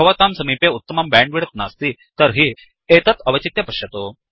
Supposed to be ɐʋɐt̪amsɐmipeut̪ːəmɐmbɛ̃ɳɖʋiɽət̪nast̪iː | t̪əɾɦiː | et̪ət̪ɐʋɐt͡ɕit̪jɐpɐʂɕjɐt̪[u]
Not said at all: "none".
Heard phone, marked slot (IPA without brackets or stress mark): o